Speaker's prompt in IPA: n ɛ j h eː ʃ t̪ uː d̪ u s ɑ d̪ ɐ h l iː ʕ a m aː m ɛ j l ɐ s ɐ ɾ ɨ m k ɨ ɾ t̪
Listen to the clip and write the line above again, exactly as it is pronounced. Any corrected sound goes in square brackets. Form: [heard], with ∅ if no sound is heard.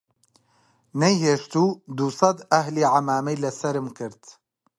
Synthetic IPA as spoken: n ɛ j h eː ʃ t̪ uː d̪ u s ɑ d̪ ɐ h l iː ʕ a m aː m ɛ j l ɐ s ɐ ɾ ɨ m k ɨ ɾ t̪